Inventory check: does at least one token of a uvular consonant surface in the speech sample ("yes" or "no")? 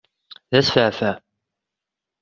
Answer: no